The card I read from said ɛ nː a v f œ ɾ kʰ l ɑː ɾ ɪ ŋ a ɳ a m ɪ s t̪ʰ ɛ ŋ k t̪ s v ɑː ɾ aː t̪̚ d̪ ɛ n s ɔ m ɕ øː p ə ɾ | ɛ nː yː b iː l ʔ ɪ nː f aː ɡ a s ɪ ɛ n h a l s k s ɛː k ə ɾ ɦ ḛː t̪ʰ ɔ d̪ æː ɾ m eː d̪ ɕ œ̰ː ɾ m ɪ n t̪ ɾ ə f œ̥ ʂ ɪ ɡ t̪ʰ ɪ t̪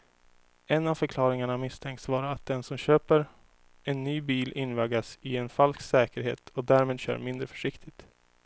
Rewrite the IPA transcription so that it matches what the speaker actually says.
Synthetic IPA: ɛ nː a v f œ ɾ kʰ l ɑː ɾ ɪ ŋ a ɳ a m ɪ s t̪ʰ ɛ ŋ k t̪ s v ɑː ɾ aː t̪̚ d̪ ɛ n s ɔ m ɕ øː p ə ɾ | ɛ nː yː b iː l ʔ ɪ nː v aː ɡ a s ɪ ɛ n f a l s k s ɛː k ə ɾ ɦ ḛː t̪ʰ ɔ d̪ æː ɾ m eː d̪ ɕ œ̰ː ɾ m ɪ n d̪ ɾ ə f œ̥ ʂ ɪ k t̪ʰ ɪ t̪